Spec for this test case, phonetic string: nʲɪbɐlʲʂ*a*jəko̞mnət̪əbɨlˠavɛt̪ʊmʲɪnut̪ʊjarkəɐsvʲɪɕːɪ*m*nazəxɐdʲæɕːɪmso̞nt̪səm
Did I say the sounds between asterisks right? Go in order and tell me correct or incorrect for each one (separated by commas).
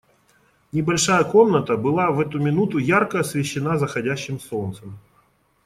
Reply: correct, incorrect